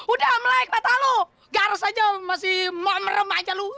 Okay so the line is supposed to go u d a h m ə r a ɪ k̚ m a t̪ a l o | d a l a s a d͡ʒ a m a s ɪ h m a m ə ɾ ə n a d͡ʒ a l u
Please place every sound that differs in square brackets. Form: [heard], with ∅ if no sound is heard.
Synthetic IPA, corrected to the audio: u d a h m ə [l] a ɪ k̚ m a t̪ a l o | [ɡ] a [ɾ] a s a d͡ʒ a m a s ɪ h m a m ə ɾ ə [m] a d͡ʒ a l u

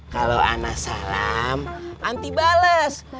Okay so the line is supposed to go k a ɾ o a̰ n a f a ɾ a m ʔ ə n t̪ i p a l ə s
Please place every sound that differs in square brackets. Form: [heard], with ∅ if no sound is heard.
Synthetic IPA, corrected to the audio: k a [l] o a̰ n a [s] a [l] a m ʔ [a] n t̪ i [b] a l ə s

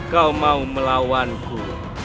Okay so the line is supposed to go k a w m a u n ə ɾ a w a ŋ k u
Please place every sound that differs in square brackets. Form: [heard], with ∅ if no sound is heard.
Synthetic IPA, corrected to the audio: k a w m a u [m] ə [l] a w a [n] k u

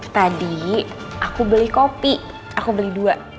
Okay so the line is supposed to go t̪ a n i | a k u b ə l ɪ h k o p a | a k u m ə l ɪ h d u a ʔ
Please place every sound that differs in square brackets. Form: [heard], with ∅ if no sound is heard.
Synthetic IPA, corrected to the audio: t̪ a [d] i | a k u b ə l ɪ h k o p [i] | a k u [b] ə l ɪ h d u a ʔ

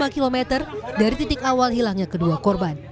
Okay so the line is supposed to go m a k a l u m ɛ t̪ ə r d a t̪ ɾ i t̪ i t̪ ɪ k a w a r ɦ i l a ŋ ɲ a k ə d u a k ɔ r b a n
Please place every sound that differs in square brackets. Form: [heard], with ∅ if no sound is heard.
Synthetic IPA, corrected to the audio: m a k [i] l [o] m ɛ t̪ ə r d a [∅] ɾ i t̪ i t̪ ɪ k a w a [l] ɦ i l a ŋ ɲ a k ə d u a k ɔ r b a n

